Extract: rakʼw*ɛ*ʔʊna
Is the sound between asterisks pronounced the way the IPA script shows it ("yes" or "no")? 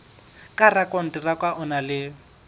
no